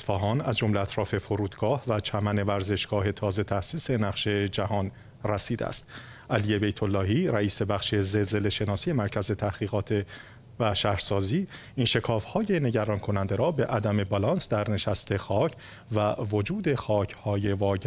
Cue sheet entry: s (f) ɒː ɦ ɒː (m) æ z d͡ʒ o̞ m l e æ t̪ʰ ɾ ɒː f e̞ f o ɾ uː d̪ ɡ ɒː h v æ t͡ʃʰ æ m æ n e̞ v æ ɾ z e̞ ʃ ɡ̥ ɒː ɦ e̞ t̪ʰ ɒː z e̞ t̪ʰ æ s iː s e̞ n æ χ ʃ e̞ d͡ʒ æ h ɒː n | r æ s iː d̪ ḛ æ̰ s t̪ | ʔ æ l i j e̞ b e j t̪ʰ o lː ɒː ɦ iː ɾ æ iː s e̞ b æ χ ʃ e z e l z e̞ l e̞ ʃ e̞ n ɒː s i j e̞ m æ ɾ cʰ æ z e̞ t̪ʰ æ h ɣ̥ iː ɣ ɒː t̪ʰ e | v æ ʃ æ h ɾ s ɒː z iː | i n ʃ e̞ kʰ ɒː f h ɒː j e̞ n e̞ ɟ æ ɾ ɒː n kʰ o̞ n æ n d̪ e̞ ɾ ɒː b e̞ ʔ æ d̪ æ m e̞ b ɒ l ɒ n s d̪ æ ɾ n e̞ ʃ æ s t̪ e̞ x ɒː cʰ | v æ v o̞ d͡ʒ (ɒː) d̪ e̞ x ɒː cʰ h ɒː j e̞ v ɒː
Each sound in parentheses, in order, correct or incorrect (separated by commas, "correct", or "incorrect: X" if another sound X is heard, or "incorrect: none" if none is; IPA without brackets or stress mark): correct, incorrect: n, incorrect: uː